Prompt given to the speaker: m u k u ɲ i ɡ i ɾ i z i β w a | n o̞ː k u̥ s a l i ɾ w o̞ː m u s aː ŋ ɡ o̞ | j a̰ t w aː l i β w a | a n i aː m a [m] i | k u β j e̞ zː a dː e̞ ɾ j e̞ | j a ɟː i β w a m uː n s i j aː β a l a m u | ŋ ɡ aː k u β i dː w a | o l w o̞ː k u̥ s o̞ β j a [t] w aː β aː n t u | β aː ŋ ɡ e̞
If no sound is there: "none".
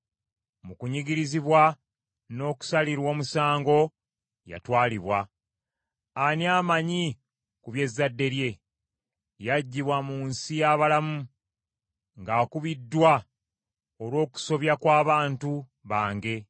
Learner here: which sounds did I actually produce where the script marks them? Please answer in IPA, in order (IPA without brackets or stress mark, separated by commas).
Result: ɲ, k